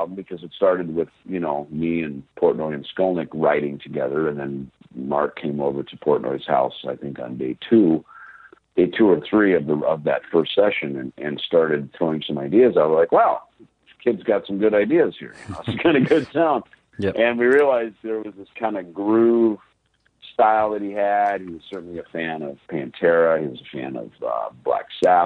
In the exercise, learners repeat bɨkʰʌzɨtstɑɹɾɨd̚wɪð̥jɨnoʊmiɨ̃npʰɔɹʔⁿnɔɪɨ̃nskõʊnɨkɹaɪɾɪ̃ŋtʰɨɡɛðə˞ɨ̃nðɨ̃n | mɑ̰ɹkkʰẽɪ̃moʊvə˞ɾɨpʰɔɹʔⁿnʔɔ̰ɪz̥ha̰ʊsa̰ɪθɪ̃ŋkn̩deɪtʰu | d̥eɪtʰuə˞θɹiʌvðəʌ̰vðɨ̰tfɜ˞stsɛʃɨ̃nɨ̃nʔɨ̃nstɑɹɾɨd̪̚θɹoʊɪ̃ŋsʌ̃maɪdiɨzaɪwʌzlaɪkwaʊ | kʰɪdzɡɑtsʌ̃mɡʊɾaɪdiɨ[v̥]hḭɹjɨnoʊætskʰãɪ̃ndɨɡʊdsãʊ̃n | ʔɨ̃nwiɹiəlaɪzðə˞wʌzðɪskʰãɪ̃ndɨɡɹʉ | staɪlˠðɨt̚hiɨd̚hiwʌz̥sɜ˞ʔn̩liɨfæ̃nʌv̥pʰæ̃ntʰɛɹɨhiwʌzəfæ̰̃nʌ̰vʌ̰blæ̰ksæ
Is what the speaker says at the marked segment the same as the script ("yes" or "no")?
no